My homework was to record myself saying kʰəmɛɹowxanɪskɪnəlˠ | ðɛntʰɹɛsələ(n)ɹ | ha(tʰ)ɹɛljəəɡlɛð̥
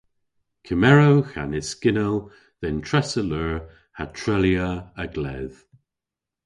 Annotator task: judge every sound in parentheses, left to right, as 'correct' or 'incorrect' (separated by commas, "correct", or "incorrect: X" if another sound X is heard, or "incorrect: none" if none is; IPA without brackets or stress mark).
incorrect: none, correct